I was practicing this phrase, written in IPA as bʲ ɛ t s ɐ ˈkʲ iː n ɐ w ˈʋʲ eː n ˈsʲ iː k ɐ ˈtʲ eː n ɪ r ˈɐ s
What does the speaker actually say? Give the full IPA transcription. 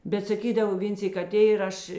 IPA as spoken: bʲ ɛ t s ɐ ˈkʲ iː d ɐ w ˈʋʲ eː n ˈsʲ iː k ɐ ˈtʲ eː ɪ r ˈɐ ʃ